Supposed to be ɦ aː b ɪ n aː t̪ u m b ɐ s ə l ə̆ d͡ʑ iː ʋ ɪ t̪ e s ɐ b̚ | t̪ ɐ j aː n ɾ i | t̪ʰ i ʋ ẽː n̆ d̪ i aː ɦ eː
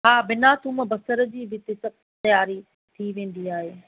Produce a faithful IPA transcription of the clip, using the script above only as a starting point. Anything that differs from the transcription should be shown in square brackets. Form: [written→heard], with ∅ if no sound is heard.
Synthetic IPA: ɦ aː b ɪ n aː t̪ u m b ɐ s ə [l→ɾ] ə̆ d͡ʑ iː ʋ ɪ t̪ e s ɐ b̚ | t̪ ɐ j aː [n→∅] ɾ i | t̪ʰ i ʋ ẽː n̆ d̪ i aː ɦ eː